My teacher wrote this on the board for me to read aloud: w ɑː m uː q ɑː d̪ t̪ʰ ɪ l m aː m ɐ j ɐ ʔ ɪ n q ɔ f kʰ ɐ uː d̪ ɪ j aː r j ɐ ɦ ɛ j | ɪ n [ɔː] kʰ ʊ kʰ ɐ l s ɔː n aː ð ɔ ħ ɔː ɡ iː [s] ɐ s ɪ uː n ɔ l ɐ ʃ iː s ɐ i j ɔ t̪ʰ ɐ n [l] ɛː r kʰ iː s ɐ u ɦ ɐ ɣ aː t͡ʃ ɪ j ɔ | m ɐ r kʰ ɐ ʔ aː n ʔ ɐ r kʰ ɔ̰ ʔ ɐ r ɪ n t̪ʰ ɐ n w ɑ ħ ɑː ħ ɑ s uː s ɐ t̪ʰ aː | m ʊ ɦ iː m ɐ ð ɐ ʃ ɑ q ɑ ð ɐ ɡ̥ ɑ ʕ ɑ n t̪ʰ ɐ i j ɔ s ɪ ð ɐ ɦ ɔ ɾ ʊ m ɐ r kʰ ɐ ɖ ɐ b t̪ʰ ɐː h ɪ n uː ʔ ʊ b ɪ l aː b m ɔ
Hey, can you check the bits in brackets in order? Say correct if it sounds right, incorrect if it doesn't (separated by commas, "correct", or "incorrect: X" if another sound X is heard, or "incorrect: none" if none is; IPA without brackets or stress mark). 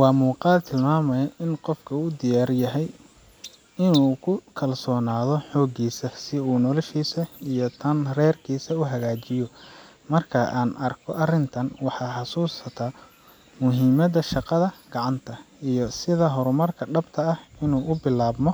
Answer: incorrect: uː, correct, incorrect: r